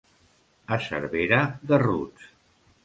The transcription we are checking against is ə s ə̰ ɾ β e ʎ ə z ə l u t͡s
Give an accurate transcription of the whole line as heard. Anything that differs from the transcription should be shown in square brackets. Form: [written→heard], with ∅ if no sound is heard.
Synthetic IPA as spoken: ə s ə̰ ɾ β e [ʎ→ɾ] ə [z→ð] ə [l→r] u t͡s